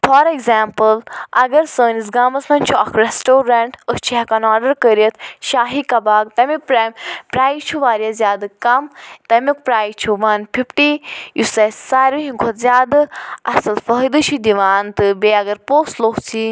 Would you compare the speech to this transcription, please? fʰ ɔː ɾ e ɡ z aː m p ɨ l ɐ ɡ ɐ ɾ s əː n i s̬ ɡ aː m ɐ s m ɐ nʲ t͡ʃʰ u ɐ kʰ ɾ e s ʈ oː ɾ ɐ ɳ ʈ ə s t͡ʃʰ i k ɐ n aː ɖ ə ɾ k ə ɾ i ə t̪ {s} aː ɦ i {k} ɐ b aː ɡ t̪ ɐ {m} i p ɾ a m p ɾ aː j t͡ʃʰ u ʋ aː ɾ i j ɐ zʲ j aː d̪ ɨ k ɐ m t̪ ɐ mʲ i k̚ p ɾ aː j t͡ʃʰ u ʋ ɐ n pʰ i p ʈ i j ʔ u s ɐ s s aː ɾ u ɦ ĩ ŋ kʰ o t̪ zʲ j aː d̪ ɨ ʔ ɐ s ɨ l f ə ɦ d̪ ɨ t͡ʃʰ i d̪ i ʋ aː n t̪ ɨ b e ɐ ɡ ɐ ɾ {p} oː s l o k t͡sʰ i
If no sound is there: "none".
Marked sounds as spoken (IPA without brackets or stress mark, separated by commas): ʃ, k, m, p